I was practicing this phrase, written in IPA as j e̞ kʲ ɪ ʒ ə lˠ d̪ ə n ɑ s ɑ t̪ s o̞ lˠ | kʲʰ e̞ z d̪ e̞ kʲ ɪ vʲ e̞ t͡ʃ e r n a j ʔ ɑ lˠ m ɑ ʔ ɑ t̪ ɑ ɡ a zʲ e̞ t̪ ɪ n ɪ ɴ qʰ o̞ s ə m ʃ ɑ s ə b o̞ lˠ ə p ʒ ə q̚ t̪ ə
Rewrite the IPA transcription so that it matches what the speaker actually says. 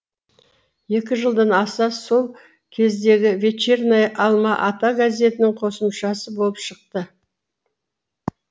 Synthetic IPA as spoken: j e̞ kʲ ɪ ʒ ə lˠ d̪ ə n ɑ s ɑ s o̞ lˠ | kʲʰ e̞ z d̪ e̞ ɡʲ ɪ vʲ e̞ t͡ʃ e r n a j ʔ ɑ lˠ m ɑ ʔ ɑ t̪ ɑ ɡ a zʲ e̞ t̪ ɪ n ɪ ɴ qʰ o̞ s ə m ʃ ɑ s ə b o̞ lˠ ə p ʃ ə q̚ t̪ ə